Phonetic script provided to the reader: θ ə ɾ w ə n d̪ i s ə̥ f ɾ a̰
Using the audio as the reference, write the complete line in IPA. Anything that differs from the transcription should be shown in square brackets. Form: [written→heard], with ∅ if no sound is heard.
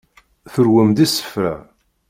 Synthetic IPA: θ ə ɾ w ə [n→m] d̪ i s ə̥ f ɾ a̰